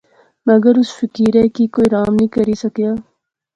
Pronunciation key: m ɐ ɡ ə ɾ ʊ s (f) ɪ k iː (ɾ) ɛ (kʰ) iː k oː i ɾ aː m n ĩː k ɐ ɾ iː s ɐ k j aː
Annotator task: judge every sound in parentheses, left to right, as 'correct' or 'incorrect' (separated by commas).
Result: correct, correct, incorrect